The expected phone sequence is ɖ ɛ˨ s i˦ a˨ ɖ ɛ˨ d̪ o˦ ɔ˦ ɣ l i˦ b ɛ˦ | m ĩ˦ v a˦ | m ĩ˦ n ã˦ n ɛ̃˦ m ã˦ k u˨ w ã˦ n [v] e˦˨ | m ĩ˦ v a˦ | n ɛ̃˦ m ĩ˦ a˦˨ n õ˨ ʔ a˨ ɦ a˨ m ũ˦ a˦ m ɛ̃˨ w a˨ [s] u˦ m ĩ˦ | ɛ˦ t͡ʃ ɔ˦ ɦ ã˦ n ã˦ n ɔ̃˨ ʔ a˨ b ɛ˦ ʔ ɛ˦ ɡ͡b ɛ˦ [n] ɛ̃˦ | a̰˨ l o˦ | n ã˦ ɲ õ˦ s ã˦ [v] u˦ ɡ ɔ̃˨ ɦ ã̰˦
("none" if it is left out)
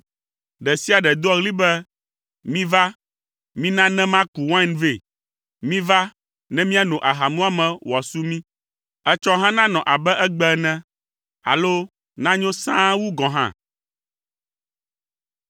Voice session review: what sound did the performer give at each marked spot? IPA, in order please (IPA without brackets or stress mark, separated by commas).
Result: v, s, n, w